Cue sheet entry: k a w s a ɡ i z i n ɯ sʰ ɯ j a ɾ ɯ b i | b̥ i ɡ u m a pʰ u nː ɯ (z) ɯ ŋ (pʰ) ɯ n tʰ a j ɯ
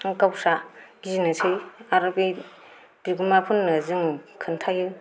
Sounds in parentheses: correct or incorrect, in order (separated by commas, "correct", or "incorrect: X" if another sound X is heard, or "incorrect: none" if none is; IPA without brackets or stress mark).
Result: correct, incorrect: kʰ